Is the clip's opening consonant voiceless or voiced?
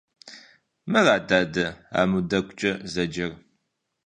voiced